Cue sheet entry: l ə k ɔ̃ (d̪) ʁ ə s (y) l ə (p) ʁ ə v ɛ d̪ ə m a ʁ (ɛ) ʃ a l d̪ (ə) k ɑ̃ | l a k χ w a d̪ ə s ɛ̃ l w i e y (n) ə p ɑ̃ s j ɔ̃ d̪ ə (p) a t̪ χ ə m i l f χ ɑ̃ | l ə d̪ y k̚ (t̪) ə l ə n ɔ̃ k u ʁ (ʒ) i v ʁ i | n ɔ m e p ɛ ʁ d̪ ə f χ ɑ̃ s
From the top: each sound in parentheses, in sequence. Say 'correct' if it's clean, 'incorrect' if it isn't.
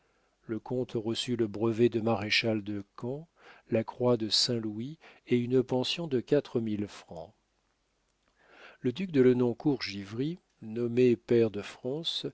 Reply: incorrect: t̪, correct, incorrect: b, incorrect: e, correct, correct, incorrect: k, incorrect: d̪, correct

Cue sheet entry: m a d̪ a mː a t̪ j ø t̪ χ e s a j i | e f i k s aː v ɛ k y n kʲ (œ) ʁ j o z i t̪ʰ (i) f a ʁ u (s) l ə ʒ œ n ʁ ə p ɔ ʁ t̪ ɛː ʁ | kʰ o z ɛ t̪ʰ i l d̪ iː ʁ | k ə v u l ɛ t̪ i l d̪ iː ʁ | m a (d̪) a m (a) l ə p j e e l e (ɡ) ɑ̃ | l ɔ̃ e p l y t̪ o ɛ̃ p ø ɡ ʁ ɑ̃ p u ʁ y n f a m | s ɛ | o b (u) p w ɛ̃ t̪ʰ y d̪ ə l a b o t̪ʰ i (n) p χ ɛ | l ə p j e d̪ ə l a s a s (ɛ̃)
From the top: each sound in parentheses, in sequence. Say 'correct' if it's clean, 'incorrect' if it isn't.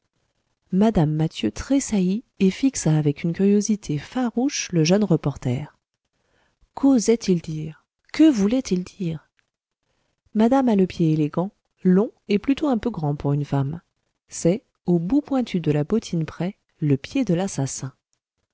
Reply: incorrect: y, incorrect: e, incorrect: ʃ, correct, correct, correct, correct, correct, correct

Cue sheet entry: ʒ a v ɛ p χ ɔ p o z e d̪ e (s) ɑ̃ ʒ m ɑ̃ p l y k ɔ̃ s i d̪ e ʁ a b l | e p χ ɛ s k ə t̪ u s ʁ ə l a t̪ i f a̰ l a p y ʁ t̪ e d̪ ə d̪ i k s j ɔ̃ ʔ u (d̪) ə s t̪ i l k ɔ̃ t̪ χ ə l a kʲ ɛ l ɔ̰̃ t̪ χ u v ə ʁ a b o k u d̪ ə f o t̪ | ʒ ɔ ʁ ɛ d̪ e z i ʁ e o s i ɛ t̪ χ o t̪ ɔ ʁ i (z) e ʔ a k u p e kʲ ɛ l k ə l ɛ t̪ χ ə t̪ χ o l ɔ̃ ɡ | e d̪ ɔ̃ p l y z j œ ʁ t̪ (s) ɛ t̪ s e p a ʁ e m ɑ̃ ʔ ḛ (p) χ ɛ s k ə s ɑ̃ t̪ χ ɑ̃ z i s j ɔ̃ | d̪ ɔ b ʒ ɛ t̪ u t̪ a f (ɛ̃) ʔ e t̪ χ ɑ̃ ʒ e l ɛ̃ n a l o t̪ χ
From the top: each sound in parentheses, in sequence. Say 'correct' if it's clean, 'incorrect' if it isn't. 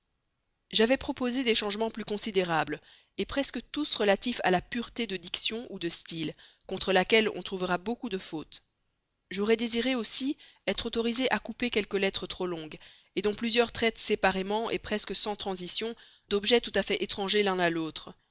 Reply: incorrect: ʃ, correct, correct, incorrect: χ, correct, incorrect: ɛ

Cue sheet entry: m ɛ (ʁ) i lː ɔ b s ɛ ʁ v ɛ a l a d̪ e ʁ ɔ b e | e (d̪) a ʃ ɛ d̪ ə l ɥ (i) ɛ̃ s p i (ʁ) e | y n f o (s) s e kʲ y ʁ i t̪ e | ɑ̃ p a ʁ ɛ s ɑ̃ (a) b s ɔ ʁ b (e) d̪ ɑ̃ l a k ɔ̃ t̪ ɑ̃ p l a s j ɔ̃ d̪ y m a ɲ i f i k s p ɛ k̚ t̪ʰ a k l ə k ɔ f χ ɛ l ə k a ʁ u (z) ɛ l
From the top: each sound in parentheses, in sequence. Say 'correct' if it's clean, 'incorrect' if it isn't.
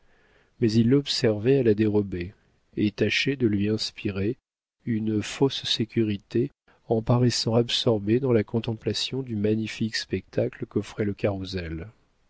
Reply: incorrect: z, incorrect: t̪, correct, correct, correct, correct, correct, correct

